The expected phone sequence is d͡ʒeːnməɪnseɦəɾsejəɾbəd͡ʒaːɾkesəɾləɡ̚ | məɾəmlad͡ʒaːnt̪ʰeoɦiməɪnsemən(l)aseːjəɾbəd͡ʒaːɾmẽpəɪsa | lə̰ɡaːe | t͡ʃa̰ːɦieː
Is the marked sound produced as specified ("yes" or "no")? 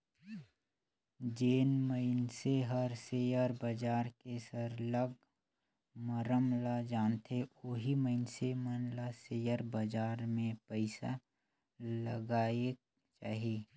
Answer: yes